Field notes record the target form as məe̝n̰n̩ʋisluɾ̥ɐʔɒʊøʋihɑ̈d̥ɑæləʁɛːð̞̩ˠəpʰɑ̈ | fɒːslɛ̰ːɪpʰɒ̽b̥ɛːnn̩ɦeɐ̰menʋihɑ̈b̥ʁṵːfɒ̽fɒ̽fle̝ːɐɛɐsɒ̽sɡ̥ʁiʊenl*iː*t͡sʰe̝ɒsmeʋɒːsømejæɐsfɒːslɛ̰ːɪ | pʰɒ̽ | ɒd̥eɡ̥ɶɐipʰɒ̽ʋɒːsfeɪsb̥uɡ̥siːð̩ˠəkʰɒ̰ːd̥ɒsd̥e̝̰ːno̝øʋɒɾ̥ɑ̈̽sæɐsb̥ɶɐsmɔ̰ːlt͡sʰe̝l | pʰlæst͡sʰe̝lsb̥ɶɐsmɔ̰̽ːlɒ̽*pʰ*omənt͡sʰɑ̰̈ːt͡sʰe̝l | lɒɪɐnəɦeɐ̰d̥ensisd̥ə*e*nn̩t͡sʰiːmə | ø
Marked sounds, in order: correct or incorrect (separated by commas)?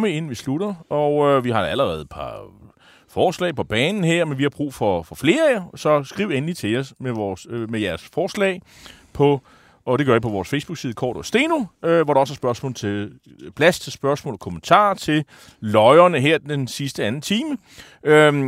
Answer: incorrect, incorrect, incorrect